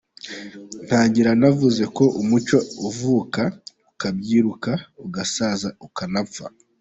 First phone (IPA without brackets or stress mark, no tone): n̥